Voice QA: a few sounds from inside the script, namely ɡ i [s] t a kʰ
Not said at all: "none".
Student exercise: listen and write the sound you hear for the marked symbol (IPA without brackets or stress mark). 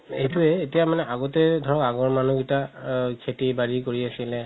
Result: none